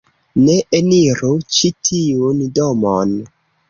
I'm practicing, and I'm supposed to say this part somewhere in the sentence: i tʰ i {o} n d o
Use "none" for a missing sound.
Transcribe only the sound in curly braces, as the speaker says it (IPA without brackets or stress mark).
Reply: u